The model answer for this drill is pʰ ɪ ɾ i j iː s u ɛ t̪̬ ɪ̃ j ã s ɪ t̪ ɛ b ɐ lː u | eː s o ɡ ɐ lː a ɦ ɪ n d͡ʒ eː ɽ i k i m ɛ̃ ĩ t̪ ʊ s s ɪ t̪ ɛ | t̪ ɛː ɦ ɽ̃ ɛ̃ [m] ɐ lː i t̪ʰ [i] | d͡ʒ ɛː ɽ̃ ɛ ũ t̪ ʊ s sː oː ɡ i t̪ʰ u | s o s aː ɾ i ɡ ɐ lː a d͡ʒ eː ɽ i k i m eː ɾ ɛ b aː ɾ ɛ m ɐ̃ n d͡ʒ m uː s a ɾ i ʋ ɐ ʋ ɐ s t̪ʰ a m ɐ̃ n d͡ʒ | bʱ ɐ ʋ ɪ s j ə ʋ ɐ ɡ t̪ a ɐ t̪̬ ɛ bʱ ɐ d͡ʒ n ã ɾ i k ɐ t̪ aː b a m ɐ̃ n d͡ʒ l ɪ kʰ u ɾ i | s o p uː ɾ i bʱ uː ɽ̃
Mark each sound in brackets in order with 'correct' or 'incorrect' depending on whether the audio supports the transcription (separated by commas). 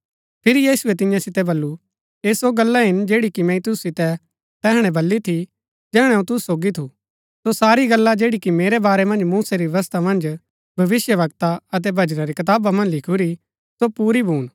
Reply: incorrect, correct